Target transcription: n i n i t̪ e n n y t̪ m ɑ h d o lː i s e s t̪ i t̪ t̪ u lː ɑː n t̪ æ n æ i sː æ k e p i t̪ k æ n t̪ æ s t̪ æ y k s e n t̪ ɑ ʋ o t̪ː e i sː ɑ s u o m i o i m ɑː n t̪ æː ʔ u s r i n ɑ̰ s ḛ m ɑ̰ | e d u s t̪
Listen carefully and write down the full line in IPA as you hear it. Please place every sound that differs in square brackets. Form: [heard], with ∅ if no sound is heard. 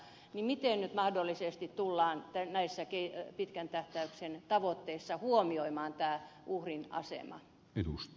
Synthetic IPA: n i [m] i t̪ e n n y t̪ m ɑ h d o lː i s e s t̪ i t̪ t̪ u lː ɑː n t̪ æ n æ i sː æ k e p i t̪ k æ n t̪ æ [h] t̪ æ y k s e n t̪ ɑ ʋ o t̪ː e i sː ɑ [h] u o m i o i m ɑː n t̪ æː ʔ u [h] r i n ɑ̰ s ḛ m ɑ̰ | e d u s t̪